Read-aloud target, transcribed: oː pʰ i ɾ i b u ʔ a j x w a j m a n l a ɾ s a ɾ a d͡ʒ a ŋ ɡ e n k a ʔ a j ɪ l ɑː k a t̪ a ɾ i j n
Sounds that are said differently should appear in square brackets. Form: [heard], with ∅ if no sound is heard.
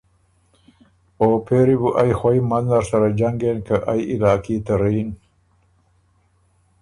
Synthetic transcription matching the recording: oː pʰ [e] ɾ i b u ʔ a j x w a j m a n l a ɾ s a ɾ a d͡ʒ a ŋ ɡ e n k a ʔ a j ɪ l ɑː k [i] t̪ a ɾ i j n